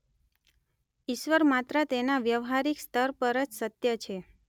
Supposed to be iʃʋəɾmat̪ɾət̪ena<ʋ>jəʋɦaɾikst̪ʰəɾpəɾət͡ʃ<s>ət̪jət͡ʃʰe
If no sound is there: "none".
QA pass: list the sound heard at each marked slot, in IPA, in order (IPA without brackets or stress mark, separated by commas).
ʋ, s